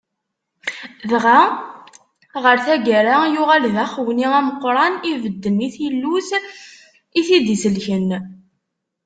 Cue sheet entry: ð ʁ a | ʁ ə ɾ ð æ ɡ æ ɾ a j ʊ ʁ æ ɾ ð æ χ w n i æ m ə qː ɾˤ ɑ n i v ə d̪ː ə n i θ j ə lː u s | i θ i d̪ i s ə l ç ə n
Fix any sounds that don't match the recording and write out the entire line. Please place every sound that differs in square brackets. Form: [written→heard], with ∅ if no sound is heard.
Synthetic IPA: ð ʁ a | ʁ ə ɾ [ð→θ] æ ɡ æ ɾ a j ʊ ʁ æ [ɾ→l] ð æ χ w n i æ m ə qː ɾˤ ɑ n i v ə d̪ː ə n i θ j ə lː u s | i θ i d̪ i s ə l ç ə n